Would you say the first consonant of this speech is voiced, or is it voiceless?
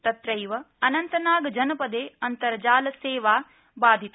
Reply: voiceless